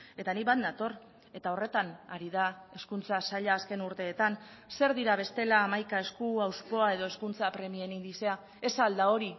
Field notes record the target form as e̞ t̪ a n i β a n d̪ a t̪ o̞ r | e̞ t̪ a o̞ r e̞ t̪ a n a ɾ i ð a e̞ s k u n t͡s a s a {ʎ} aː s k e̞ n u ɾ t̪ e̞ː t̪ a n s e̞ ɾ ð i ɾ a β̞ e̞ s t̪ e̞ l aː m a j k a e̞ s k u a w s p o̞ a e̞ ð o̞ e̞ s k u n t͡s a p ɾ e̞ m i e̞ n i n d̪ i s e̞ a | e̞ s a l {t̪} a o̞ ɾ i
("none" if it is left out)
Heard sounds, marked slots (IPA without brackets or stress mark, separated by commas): ʎ, d̪